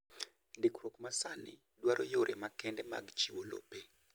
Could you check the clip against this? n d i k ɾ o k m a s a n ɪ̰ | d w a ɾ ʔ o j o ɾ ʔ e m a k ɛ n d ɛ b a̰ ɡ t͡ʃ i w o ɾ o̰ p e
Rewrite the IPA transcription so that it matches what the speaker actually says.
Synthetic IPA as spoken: n d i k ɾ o k m a s a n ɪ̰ | d w a ɾ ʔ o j o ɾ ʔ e m a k ɛ n d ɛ m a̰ ɡ t͡ʃ i w o l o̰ p e